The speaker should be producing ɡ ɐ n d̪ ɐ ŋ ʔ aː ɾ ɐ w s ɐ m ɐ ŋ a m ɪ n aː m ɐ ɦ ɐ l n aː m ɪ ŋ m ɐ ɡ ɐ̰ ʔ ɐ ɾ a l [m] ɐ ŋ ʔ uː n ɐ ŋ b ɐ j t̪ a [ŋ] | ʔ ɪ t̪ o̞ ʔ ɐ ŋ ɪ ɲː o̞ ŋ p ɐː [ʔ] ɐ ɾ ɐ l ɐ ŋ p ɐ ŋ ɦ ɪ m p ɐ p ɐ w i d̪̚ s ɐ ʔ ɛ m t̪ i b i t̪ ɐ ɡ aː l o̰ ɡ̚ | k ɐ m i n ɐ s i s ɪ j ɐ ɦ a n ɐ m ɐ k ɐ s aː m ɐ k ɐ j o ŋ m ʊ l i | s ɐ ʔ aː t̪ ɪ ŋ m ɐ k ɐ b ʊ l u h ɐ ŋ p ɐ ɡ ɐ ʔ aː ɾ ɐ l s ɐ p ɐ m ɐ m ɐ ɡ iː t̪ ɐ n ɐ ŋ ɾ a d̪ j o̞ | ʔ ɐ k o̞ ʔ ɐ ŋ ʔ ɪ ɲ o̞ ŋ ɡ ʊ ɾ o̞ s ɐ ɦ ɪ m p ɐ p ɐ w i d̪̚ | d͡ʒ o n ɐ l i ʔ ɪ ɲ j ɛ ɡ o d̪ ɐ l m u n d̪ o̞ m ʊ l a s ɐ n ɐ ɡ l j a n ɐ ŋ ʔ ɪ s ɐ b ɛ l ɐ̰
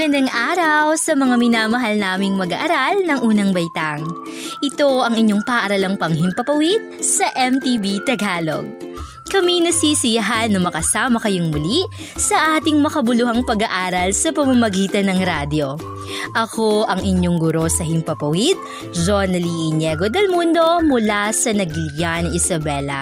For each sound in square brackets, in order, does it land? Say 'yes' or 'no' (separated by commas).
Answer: no, yes, yes